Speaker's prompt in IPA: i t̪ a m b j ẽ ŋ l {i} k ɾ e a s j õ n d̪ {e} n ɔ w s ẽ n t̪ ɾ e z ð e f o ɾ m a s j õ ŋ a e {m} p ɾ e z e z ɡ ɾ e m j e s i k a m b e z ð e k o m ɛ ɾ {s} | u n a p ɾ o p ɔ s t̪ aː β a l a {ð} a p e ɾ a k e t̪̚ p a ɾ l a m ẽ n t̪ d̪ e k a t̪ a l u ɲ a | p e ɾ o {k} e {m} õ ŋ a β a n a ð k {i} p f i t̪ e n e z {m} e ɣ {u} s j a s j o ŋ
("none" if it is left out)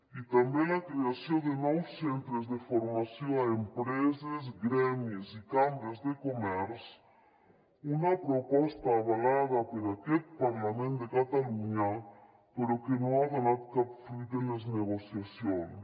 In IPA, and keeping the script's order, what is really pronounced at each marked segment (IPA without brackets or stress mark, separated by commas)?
a, e, m, s, ð, k, n, a, n, o